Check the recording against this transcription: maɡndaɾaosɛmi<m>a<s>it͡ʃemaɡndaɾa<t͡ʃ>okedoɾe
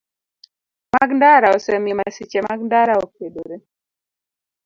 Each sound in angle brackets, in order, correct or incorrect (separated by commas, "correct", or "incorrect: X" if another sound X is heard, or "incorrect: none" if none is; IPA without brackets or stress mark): correct, correct, incorrect: none